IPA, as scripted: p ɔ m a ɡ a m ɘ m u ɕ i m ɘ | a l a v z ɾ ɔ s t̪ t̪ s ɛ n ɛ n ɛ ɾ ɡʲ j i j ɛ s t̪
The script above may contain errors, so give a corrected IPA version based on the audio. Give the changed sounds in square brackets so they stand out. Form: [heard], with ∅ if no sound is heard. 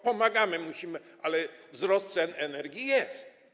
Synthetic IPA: p ɔ m a ɡ a m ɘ m u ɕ i m ɘ | a l [ɛ] v z ɾ ɔ s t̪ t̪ s ɛ n ɛ n ɛ ɾ ɡʲ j i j ɛ s t̪